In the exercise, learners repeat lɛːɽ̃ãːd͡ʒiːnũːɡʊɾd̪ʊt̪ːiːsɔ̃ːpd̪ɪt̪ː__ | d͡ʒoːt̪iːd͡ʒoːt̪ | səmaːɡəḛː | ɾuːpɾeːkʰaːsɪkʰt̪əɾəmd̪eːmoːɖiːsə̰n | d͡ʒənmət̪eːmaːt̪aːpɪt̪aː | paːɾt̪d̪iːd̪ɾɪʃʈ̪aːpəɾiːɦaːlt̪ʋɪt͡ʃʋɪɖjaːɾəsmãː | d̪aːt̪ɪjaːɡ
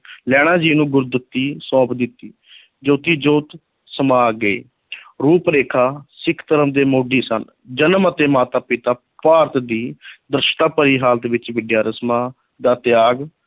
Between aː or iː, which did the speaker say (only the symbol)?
iː